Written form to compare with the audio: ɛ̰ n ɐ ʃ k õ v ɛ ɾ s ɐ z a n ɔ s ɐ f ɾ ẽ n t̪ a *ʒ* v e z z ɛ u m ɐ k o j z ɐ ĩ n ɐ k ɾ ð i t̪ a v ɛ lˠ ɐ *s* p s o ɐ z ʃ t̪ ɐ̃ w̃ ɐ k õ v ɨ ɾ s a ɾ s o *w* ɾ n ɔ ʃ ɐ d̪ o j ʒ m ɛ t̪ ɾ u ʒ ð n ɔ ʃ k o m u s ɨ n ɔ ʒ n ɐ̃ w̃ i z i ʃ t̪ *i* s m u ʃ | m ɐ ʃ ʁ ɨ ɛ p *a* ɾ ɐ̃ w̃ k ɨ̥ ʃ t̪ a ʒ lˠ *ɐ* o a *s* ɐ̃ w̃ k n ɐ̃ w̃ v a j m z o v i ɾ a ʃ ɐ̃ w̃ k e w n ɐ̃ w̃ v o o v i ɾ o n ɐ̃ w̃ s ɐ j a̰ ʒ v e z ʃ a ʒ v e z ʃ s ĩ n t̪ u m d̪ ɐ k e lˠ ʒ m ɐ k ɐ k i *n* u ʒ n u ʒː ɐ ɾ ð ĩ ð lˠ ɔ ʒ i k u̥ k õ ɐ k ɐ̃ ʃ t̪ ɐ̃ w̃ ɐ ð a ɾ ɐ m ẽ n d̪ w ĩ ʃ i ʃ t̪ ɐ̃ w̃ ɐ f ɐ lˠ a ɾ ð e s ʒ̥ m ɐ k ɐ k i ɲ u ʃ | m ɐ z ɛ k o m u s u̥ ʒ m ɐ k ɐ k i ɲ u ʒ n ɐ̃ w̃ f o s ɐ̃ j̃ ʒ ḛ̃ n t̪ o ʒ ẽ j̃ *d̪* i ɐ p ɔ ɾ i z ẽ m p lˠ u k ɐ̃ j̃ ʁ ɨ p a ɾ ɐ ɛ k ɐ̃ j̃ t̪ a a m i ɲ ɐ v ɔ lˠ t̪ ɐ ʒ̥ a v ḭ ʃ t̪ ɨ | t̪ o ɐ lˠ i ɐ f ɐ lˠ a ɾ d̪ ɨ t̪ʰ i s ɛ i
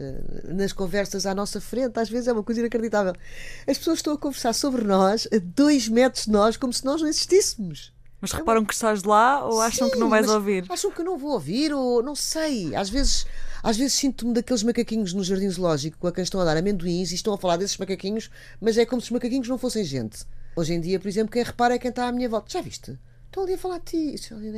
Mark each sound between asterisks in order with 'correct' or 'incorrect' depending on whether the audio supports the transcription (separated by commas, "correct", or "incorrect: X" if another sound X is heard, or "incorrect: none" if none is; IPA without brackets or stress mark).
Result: correct, incorrect: ʃ, incorrect: β, correct, correct, incorrect: a, incorrect: ʃ, incorrect: ɲ, correct